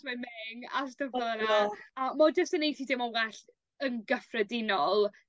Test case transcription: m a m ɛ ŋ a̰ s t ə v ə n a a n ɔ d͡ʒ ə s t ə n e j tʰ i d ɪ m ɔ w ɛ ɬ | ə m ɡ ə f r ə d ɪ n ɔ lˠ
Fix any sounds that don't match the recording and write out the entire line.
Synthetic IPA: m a m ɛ ŋ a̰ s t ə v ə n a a m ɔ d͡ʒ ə s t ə n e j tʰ i d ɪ m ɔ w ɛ ɬ | ə n ɡ ə f r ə d ɪ n ɔ lˠ